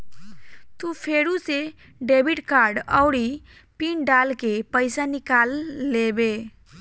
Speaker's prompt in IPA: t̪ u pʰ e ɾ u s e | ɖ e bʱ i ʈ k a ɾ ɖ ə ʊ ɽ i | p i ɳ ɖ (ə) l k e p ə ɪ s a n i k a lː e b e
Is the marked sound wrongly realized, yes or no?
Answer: yes